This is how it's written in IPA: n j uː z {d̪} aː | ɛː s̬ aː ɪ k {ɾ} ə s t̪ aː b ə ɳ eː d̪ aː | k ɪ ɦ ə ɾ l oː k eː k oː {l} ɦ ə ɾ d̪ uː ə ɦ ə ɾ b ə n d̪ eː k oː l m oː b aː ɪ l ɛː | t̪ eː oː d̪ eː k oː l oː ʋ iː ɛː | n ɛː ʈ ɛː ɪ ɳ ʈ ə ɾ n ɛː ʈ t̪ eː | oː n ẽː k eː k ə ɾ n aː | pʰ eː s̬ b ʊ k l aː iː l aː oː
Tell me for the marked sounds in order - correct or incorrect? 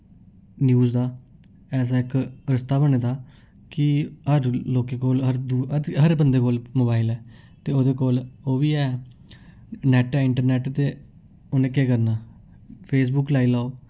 correct, correct, correct

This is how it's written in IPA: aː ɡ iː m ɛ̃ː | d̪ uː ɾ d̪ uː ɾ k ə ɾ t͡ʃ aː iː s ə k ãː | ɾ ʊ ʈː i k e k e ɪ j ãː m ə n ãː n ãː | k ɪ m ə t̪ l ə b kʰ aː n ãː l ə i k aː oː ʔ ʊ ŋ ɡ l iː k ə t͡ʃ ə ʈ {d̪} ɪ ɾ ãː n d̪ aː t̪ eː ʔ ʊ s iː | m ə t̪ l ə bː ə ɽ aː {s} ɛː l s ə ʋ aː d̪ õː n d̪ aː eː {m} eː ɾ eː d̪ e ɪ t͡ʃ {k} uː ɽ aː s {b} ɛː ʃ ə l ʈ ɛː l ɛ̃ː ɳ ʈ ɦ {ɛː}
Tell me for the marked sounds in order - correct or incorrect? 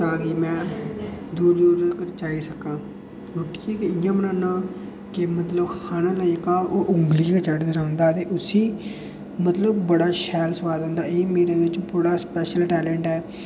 correct, incorrect, correct, incorrect, incorrect, correct

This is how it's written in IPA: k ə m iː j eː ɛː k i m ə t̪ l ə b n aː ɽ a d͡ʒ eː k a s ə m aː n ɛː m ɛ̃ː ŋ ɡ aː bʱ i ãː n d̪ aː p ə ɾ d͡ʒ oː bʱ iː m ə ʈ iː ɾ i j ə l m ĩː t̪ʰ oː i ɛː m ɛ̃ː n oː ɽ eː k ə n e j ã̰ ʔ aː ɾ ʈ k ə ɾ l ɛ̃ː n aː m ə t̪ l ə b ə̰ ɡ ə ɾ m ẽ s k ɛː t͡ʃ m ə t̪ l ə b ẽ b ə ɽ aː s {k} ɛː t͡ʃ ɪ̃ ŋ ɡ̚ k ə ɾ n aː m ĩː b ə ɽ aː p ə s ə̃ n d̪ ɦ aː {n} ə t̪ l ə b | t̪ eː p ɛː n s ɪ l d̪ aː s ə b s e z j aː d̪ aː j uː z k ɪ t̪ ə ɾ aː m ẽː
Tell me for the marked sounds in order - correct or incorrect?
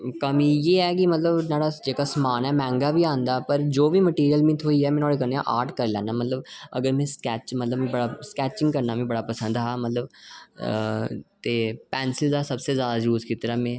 correct, incorrect

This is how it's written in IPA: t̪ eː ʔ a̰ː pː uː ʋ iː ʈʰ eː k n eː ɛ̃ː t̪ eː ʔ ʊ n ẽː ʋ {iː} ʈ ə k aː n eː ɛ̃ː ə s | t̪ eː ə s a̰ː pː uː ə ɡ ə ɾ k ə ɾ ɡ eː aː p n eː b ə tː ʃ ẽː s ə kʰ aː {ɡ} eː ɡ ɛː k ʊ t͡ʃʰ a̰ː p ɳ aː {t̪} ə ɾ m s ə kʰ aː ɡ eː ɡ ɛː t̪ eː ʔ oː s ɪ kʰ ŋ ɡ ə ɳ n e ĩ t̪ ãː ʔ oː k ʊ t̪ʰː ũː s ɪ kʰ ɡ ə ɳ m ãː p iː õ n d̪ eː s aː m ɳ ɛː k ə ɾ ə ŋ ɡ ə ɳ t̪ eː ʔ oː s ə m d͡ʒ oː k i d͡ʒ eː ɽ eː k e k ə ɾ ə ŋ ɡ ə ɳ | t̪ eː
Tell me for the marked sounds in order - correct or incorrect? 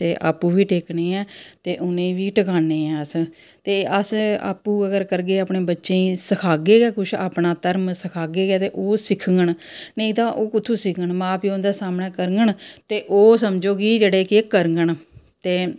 correct, correct, correct

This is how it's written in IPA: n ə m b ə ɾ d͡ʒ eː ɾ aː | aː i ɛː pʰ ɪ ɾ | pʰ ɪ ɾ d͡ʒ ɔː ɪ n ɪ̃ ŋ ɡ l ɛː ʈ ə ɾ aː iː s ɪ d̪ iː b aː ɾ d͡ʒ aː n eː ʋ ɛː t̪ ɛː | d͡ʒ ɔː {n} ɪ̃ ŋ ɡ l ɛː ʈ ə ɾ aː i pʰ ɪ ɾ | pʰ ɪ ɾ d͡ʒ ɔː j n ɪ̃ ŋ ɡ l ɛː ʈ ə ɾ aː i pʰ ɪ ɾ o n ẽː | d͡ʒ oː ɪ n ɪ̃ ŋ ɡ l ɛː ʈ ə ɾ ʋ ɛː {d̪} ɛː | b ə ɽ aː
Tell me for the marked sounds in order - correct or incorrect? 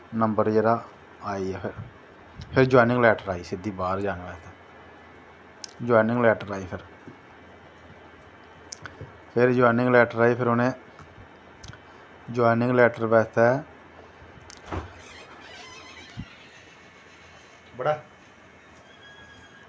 correct, incorrect

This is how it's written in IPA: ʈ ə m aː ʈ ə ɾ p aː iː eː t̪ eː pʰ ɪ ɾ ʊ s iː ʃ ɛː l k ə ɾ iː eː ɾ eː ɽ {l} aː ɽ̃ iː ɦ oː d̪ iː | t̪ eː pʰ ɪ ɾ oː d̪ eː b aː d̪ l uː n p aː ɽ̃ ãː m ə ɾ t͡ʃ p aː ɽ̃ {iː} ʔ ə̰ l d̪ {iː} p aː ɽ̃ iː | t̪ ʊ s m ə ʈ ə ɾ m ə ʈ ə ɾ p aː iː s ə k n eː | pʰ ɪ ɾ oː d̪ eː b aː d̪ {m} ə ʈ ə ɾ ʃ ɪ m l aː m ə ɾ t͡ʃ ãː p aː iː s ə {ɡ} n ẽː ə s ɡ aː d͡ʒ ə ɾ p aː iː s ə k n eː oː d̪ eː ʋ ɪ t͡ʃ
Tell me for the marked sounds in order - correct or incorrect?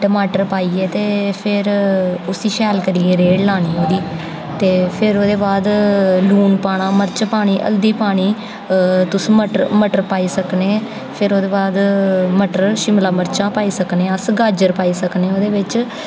correct, correct, correct, correct, incorrect

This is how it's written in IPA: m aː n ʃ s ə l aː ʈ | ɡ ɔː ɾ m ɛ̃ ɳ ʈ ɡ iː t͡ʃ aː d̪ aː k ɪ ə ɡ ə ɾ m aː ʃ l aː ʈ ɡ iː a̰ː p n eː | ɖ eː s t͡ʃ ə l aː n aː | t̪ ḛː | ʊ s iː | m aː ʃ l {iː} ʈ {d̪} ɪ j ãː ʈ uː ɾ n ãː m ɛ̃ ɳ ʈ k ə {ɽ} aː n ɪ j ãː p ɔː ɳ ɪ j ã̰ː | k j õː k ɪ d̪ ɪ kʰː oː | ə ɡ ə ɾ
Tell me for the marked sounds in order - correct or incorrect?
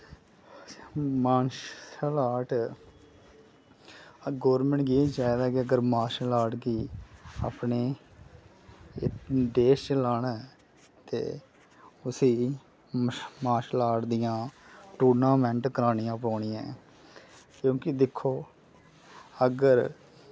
incorrect, correct, incorrect

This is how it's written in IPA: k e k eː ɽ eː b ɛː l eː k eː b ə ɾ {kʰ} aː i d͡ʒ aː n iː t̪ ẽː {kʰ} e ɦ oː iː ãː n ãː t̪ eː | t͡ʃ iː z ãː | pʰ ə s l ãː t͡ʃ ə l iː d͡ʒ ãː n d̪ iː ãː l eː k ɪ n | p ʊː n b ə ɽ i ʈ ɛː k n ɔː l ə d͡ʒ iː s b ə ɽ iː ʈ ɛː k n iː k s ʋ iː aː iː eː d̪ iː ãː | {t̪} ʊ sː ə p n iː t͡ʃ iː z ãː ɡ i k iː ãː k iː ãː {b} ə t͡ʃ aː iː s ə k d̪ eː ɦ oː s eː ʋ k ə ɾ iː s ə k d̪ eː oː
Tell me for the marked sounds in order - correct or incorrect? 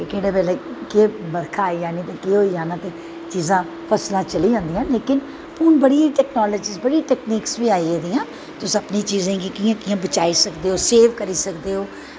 correct, incorrect, correct, correct

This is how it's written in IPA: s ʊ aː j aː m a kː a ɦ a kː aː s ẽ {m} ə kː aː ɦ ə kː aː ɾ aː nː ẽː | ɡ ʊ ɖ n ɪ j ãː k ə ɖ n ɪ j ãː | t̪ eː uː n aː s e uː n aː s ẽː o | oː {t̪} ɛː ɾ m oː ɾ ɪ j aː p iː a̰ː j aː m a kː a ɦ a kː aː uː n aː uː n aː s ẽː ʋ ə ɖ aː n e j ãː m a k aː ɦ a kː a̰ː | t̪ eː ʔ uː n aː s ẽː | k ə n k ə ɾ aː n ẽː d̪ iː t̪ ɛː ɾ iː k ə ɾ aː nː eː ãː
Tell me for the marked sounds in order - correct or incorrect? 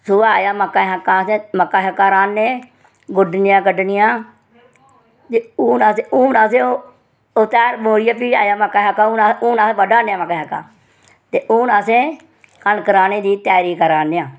correct, correct

